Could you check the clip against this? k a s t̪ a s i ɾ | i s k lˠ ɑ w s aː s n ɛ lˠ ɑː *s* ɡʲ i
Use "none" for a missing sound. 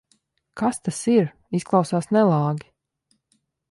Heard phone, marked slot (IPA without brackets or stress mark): none